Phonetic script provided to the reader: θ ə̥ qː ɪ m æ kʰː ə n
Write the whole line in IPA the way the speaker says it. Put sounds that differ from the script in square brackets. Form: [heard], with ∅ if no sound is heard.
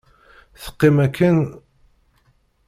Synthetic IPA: θ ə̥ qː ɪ m æ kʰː ə n